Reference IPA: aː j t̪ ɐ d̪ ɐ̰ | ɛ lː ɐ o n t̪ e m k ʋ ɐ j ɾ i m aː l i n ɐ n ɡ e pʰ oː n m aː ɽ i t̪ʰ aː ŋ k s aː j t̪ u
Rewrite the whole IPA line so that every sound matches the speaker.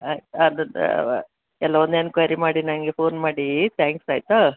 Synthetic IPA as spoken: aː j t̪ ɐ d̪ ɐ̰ | ɛ lː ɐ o n d̪ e n k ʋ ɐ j ɾ i m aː ɽ i n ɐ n ɡ e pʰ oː n m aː ɽ i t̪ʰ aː ŋ k s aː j t̪ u